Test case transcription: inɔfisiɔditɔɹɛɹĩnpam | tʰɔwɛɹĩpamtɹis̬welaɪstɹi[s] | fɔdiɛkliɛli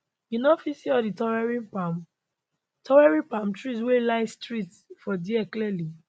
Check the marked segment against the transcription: incorrect: t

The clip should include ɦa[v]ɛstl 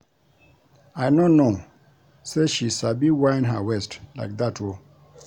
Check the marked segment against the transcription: incorrect: w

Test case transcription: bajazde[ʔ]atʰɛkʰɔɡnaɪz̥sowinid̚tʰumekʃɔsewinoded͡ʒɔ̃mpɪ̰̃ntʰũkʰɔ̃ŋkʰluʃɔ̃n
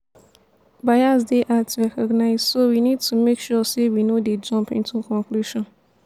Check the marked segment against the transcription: correct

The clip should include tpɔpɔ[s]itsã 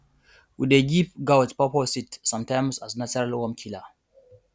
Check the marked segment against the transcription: correct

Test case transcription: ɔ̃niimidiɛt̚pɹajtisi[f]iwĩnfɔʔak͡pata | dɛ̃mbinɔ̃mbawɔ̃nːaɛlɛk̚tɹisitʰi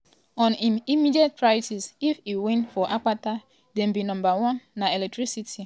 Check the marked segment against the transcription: correct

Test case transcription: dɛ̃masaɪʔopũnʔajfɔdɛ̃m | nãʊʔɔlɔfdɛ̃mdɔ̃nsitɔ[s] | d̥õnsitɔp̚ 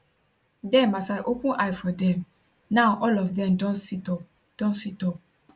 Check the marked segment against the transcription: incorrect: none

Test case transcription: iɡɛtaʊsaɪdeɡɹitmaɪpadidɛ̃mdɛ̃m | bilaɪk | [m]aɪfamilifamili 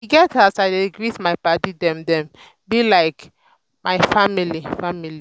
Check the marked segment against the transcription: correct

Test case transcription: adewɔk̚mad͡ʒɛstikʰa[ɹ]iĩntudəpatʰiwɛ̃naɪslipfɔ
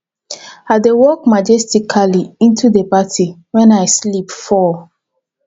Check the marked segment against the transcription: incorrect: l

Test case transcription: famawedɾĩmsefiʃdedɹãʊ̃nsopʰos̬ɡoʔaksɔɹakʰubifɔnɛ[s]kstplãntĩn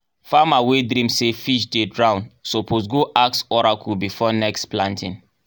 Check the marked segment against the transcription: incorrect: none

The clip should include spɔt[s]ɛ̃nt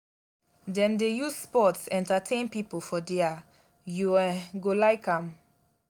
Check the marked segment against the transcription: correct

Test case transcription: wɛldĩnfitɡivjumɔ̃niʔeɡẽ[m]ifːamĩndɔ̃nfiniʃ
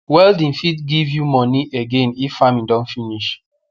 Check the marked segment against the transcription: incorrect: n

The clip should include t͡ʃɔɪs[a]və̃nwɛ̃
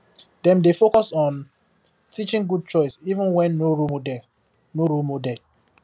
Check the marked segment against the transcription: incorrect: i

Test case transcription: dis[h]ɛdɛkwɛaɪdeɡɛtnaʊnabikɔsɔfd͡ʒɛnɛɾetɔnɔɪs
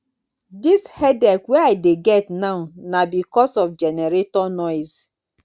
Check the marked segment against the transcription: correct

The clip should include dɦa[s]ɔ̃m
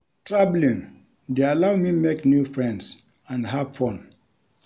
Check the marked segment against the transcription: incorrect: f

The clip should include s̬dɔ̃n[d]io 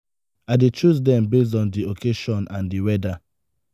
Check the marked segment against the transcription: correct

